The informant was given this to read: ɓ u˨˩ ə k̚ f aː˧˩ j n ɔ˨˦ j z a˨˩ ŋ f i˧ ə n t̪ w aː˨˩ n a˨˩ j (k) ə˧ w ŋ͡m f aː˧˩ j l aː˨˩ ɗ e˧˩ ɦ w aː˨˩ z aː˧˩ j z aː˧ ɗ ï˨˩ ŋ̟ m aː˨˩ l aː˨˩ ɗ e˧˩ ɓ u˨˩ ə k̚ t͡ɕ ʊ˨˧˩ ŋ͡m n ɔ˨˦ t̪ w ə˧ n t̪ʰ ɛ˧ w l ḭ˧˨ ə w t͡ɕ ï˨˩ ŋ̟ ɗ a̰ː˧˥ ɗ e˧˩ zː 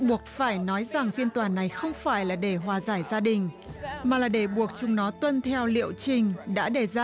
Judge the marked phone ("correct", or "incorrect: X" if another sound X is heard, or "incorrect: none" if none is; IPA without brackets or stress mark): incorrect: x